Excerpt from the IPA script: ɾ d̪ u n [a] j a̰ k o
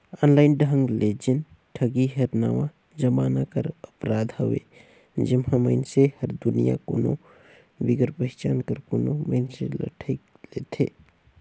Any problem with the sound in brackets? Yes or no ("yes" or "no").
yes